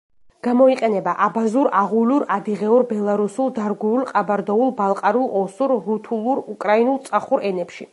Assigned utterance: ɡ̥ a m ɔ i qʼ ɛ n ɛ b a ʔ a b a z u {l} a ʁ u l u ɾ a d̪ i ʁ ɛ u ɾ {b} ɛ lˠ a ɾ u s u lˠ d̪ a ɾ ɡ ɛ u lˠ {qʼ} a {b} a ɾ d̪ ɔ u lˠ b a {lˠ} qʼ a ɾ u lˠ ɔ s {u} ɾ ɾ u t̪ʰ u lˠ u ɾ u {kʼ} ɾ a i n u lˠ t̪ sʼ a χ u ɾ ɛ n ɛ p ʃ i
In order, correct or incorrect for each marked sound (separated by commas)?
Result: incorrect, correct, correct, correct, correct, correct, correct